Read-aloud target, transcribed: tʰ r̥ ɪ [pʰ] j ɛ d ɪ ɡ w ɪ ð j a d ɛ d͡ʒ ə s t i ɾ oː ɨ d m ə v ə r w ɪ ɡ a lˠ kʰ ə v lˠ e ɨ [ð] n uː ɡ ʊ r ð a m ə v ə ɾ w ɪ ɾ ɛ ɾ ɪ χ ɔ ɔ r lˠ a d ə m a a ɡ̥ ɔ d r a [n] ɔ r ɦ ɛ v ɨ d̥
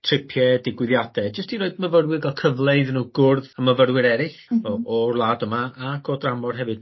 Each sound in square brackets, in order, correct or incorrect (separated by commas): correct, correct, incorrect